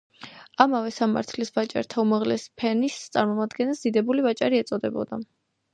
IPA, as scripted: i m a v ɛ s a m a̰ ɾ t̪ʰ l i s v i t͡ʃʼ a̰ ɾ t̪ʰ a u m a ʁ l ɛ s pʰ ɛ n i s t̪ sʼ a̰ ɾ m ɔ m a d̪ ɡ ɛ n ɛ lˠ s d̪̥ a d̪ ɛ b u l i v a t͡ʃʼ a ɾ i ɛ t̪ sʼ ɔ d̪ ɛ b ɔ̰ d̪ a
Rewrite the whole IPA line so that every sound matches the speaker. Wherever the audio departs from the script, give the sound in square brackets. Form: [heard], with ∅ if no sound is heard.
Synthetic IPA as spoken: [a] m a v ɛ s a m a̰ ɾ t̪ʰ l i s v [a] t͡ʃʼ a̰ ɾ t̪ʰ a u m a ʁ l ɛ s pʰ ɛ n i s t̪ sʼ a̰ ɾ m ɔ m a d̪ ɡ ɛ n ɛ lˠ s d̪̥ [i] d̪ ɛ b u l i v a t͡ʃʼ a ɾ i ɛ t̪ sʼ ɔ d̪ ɛ b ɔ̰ d̪ a

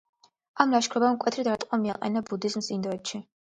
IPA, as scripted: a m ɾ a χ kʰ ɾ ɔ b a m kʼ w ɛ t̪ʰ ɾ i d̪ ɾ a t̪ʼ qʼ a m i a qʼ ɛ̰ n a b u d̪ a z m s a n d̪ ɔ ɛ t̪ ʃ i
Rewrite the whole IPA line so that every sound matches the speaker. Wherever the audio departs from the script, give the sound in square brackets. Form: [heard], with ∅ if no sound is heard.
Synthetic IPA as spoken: a m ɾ a [ʃ] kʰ ɾ ɔ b a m kʼ w ɛ t̪ʰ ɾ i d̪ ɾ a t̪ʼ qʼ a m i a qʼ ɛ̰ n a b u d̪ [i] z m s [i] n d̪ ɔ ɛ t̪ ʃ i

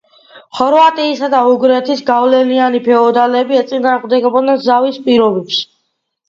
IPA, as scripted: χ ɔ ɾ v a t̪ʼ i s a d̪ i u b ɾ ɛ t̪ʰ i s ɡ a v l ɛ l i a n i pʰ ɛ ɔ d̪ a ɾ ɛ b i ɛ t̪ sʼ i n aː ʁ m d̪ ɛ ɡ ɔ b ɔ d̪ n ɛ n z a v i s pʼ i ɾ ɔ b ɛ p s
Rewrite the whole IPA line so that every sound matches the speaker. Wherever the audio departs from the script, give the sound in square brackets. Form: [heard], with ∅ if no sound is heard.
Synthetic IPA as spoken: χ ɔ ɾ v a t̪ʼ [iː] s a d̪ [a] u [ɡ] ɾ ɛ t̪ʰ i s ɡ a v l ɛ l i a n i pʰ ɛ ɔ d̪ a [l] ɛ b i ɛ t̪ sʼ i n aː ʁ m d̪ ɛ ɡ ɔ b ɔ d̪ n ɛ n z a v i s pʼ i ɾ ɔ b ɛ p s

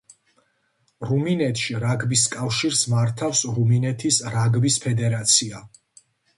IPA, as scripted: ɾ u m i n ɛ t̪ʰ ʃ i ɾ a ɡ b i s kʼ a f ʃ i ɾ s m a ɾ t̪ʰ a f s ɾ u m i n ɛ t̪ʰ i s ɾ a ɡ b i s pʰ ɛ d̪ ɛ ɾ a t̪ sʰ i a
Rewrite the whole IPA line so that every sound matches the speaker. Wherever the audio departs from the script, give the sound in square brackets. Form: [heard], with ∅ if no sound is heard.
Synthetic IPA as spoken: ɾ u m i n ɛ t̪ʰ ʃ i ɾ a ɡ b i s kʼ a f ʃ i ɾ s m a ɾ t̪ʰ a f s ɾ u m i n ɛ t̪ʰ i s ɾ a ɡ b i s pʰ ɛ d̪ ɛ ɾ a t̪ sʰ i a

